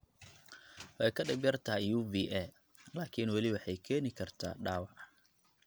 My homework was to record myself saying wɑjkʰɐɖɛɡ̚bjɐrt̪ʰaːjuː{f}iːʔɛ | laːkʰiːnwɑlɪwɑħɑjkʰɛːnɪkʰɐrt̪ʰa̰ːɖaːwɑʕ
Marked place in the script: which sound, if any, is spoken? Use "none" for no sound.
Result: v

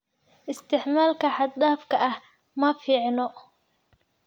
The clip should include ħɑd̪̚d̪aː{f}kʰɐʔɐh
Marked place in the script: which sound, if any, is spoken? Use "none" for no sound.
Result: f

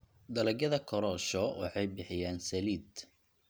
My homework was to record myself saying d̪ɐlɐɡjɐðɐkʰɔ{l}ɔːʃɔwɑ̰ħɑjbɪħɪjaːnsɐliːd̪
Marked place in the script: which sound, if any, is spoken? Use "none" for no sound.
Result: ɾ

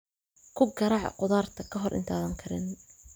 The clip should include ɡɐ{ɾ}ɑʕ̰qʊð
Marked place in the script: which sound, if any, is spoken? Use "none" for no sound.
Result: ɾ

